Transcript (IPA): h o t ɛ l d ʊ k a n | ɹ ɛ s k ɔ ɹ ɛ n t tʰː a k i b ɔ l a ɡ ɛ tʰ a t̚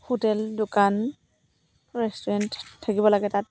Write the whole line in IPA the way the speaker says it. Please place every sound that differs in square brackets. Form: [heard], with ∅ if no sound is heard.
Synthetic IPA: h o t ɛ l d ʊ k a n | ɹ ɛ s [t] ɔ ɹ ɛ n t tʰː a k i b ɔ l a ɡ ɛ [t] a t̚